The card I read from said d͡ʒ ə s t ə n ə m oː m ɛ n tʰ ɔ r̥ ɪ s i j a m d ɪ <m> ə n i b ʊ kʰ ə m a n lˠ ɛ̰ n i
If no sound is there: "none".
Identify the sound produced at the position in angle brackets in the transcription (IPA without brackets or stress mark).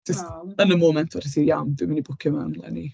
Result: m